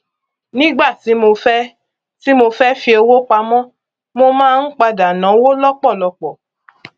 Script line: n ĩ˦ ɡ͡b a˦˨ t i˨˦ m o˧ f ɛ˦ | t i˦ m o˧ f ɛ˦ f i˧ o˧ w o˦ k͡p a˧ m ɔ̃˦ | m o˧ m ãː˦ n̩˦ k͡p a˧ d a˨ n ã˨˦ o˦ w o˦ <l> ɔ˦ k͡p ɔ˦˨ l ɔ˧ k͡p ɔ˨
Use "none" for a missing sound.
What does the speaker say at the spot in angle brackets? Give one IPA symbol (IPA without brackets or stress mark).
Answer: l